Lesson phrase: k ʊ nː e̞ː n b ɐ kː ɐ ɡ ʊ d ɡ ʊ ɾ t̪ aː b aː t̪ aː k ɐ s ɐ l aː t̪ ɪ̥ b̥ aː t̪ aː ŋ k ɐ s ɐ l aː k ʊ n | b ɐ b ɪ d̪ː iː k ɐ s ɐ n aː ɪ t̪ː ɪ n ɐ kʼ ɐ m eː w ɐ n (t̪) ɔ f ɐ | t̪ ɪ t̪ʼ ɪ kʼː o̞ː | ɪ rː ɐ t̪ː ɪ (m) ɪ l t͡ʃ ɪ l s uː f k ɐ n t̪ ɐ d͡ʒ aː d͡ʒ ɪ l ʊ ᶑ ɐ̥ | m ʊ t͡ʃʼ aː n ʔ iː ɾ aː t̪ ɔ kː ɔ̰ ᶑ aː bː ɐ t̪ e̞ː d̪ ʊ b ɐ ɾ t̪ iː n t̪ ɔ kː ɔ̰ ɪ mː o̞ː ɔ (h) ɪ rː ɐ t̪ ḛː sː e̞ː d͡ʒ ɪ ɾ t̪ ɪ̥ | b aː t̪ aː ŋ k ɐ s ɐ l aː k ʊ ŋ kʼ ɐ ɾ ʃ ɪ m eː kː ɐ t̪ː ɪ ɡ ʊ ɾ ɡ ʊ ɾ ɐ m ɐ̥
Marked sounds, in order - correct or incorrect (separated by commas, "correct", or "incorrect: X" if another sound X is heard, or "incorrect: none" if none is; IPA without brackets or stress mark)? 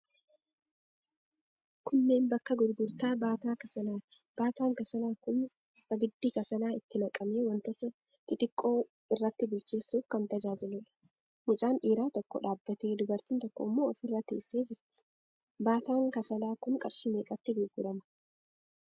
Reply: correct, incorrect: b, incorrect: f